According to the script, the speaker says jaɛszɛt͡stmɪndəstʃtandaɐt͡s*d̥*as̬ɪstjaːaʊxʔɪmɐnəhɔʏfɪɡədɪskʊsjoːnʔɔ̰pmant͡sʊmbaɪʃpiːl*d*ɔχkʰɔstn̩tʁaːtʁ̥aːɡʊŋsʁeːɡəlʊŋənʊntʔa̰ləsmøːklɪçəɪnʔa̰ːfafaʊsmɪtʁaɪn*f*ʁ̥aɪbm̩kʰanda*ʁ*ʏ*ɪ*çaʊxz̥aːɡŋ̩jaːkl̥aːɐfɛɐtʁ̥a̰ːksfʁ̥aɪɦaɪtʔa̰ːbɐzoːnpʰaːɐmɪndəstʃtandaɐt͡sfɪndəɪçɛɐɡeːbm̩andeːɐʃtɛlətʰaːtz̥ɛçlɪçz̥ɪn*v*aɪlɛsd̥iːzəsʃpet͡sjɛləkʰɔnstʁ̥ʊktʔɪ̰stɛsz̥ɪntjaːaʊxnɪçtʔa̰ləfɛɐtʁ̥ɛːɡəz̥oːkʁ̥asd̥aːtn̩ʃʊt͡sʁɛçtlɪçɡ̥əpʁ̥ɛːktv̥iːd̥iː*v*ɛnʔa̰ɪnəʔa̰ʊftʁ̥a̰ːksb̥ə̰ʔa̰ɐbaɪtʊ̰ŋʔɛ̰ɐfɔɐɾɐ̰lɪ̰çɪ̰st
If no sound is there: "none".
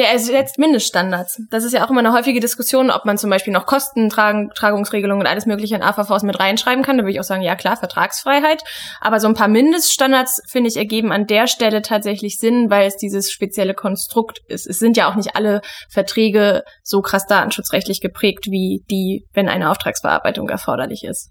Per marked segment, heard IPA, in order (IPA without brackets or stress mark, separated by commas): d̥, n, ʃ, v, ɪ, v, v